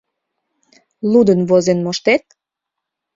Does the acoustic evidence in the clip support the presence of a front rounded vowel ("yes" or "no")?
no